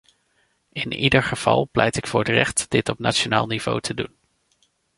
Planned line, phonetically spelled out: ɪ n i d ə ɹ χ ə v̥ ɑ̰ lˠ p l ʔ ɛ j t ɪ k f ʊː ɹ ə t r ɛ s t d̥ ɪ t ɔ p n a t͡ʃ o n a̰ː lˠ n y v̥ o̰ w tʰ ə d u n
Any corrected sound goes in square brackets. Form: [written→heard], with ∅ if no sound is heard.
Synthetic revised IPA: ɪ n i d ə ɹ χ ə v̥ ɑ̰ lˠ p l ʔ ɛ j t ɪ k f ʊː ɹ ə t r ɛ [s→χ] t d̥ ɪ t ɔ p n a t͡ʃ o n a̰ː lˠ n [y→i] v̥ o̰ w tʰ ə d u n